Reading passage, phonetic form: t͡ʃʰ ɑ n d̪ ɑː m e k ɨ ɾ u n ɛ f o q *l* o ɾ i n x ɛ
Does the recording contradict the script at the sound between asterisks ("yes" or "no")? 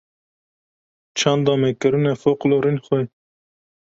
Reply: no